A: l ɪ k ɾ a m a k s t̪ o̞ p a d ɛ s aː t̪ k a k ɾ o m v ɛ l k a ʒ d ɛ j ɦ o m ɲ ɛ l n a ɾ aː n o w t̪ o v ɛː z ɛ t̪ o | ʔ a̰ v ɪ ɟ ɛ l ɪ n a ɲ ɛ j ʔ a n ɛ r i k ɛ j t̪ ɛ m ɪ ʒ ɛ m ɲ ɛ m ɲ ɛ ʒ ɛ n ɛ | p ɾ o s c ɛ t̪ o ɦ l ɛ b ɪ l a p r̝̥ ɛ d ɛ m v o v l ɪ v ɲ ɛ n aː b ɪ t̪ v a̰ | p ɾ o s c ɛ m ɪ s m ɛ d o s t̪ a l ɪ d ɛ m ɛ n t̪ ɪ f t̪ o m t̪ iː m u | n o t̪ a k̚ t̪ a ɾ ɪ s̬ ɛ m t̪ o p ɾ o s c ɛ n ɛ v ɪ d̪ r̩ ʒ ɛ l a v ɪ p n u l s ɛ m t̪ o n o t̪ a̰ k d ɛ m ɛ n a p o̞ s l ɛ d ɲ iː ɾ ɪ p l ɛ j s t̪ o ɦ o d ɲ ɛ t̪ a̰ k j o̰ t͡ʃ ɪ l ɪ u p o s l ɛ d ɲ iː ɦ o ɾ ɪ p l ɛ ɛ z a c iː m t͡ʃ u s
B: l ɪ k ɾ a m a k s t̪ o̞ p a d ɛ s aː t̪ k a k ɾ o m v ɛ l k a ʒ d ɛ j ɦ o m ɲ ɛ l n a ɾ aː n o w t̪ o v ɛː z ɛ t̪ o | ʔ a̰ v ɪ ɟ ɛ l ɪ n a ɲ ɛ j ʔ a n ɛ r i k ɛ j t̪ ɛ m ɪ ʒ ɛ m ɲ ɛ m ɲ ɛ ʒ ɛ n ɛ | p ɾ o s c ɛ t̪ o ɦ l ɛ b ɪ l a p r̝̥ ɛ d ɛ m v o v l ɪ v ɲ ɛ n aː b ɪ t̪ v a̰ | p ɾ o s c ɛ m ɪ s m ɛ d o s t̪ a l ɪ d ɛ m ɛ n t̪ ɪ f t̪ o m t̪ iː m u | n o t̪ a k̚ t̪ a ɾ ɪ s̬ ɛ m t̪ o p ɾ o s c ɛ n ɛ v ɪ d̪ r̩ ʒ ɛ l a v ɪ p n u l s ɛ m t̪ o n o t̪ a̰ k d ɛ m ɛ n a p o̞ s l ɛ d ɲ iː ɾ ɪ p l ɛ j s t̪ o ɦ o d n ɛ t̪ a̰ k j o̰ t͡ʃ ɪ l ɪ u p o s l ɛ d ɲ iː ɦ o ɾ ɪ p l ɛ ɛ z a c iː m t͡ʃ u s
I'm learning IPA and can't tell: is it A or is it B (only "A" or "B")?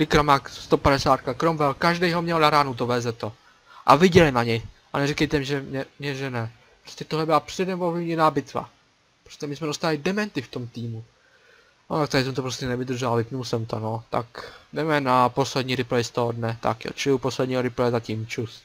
B